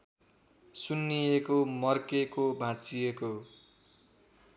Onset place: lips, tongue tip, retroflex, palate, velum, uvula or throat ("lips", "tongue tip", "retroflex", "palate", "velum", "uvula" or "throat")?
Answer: tongue tip